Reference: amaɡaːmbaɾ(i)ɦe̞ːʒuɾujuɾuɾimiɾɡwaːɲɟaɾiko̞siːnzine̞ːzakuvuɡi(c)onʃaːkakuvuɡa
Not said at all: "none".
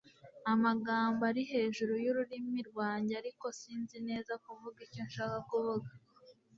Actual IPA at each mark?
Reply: i, c

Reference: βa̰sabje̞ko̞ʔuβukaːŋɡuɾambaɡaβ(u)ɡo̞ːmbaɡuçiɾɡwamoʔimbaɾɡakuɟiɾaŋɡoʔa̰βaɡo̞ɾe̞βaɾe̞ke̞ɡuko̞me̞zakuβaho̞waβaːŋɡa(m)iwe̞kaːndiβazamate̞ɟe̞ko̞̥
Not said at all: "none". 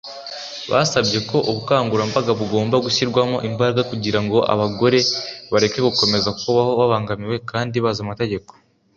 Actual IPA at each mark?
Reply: u, m

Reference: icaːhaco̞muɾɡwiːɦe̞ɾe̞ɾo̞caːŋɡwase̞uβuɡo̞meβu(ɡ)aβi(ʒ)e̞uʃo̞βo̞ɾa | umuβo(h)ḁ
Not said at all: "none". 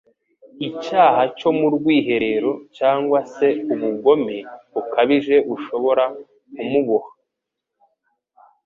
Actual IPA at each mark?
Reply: k, ʒ, h

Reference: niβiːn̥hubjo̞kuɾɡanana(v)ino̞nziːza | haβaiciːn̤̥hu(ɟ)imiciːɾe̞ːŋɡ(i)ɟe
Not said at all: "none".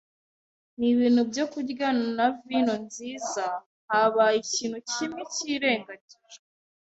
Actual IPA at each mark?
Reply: v, c, a

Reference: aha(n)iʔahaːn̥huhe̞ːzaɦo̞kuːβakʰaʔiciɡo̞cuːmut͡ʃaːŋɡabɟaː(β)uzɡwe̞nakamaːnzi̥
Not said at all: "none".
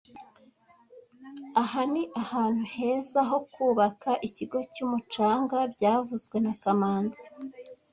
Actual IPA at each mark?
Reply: n, v

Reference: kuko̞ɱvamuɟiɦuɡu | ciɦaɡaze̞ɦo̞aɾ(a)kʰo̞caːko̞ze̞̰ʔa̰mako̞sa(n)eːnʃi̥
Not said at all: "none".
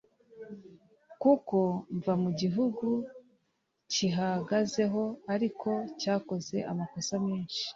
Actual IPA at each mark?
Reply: i, m

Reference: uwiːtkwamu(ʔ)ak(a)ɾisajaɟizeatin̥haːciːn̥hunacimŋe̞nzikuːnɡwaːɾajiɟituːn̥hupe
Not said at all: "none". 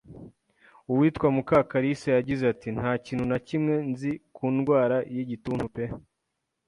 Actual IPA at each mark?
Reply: k, a

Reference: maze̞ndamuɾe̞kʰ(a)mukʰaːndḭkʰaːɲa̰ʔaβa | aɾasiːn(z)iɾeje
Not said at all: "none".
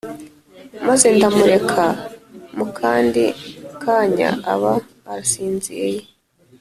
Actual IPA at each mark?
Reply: a, z

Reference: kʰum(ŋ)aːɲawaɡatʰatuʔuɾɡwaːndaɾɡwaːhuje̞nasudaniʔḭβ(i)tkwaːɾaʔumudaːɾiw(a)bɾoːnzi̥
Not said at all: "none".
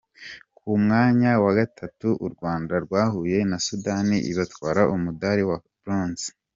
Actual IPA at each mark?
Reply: ŋ, a, a

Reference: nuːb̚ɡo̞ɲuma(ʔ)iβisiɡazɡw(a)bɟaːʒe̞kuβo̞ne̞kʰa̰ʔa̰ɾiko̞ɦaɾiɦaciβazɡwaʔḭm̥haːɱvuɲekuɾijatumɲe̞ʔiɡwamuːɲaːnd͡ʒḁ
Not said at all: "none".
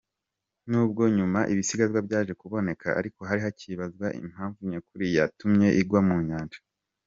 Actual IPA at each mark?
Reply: ʔ, a

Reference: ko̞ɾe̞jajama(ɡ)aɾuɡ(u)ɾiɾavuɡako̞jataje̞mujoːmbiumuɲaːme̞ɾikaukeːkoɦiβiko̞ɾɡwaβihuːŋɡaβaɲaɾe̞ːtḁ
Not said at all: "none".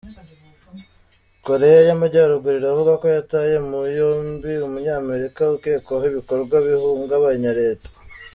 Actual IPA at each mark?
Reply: ɟ, u

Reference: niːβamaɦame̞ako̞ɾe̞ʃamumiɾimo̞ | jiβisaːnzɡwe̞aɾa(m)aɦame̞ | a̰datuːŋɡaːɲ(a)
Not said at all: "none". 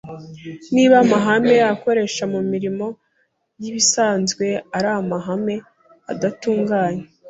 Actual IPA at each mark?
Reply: m, e

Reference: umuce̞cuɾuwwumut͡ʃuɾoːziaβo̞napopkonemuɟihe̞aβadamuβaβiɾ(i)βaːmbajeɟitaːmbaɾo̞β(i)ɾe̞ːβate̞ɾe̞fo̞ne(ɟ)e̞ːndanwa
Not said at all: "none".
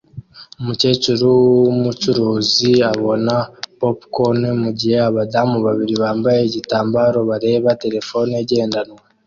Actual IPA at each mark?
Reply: i, a, ɟ

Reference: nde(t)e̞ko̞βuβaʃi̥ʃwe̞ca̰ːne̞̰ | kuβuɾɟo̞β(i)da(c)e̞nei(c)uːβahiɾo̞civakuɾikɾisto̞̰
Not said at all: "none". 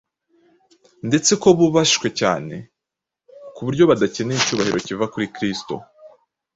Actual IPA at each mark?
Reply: t͡s, a, c, c

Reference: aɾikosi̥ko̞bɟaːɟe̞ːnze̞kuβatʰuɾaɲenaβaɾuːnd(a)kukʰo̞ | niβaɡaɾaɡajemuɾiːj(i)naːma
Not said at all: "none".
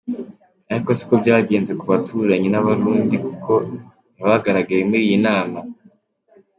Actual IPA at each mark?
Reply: i, i

